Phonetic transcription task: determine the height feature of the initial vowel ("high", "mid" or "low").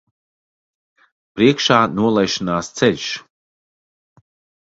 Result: high